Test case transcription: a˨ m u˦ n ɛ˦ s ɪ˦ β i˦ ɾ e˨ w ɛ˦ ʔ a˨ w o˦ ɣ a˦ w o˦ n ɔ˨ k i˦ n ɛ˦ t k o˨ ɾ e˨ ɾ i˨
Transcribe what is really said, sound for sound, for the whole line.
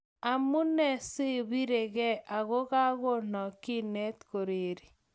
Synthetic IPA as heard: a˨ m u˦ n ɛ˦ s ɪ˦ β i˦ ɾ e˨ ɣ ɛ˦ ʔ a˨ ɣ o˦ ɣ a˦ ɣ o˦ n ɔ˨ k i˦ n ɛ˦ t k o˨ ɾ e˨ ɾ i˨